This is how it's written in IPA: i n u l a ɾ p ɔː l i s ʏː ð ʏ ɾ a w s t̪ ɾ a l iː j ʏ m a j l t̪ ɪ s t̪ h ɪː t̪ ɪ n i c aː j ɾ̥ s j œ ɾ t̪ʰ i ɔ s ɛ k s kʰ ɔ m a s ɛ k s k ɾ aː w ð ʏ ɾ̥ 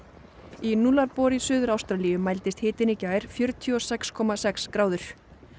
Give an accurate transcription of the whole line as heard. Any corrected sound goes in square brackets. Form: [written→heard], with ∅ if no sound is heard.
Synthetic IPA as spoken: i n u l a ɾ p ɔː [l→ɾ] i s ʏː ð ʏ ɾ a w s t̪ ɾ a l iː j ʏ m a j l t̪ ɪ s t̪ h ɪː t̪ ɪ n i c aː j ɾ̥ [s→f] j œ ɾ t̪ʰ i ɔ s ɛ k s kʰ ɔ m a s ɛ k s k ɾ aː w ð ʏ ɾ̥